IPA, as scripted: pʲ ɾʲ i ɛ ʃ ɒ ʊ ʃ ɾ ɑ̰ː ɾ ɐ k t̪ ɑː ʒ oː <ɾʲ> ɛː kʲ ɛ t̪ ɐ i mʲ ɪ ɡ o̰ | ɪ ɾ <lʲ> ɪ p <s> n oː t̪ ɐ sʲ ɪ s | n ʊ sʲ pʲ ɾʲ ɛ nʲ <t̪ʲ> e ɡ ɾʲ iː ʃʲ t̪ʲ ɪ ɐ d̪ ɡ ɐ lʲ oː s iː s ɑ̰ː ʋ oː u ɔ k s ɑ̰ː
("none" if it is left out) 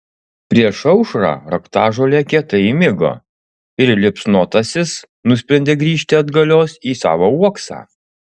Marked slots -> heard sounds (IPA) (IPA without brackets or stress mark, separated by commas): lʲ, lʲ, s, d̪ʲ